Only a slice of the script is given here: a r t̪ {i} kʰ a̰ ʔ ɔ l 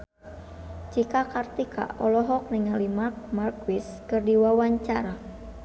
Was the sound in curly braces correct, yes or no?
yes